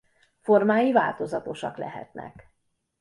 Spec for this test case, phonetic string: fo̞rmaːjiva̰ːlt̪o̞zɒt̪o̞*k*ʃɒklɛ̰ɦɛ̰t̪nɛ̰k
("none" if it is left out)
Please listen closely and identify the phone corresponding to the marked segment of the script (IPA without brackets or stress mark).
none